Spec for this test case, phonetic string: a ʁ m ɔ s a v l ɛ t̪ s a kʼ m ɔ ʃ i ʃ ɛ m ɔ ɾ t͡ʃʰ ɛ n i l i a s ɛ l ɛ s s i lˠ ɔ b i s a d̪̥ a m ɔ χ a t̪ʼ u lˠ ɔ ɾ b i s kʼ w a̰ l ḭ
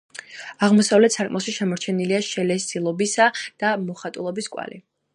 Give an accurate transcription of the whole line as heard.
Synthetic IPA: a ʁ m ɔ s a v l ɛ t̪ s a kʼ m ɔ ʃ i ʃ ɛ m ɔ ɾ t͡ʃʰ ɛ n i l i a ʃ ɛ l ɛ s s i lˠ ɔ b i s a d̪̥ a m ɔ χ a t̪ʼ u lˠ ɔ b i s kʼ w a̰ l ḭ